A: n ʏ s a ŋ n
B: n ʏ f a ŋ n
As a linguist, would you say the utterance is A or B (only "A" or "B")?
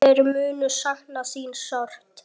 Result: A